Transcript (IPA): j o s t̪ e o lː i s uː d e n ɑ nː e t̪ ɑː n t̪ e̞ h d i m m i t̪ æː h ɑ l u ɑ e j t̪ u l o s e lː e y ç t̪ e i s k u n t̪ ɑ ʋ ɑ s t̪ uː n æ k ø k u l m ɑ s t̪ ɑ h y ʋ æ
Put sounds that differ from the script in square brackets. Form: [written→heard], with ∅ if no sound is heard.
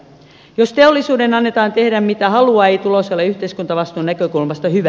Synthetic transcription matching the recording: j o s t̪ e o lː i s uː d e n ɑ nː e t̪ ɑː n t̪ e̞ h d [i→æ] m m i t̪ [æː→æ] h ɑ l u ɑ e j t̪ u l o s e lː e y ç t̪ e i s k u n t̪ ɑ ʋ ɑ s t̪ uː n æ k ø k u l m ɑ s t̪ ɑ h y ʋ æ